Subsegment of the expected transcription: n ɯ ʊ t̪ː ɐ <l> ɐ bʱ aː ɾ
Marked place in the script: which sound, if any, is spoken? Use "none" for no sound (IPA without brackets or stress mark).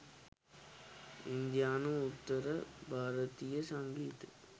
ɾ